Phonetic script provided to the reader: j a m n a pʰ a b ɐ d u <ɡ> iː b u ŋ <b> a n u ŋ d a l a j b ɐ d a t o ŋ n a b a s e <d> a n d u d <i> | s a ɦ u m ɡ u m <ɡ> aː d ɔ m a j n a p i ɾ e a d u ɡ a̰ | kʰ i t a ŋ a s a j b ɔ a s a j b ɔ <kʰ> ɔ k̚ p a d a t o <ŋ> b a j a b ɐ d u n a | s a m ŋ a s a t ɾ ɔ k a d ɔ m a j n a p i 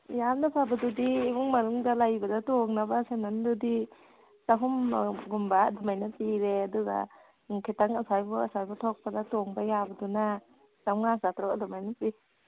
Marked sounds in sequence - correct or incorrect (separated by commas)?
incorrect, incorrect, incorrect, correct, incorrect, incorrect, correct